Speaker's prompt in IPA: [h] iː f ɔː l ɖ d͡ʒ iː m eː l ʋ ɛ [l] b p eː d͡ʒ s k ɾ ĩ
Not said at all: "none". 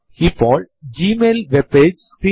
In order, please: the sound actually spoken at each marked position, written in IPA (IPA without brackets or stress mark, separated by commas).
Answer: h, none